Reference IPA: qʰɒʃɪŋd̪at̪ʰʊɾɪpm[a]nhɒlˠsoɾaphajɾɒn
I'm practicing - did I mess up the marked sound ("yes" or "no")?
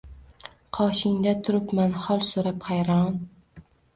no